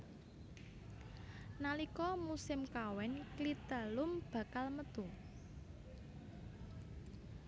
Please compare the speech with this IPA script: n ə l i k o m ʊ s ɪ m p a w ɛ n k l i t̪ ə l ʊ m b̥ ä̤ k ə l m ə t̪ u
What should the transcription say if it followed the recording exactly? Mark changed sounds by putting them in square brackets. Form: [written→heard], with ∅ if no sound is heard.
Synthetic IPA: n [ə→a] l i k [o→ɔ] m [ʊ→u] s ɪ m [p→k] a w ɛ n k l i t̪ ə l ʊ m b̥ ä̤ k [ə→a] l m ə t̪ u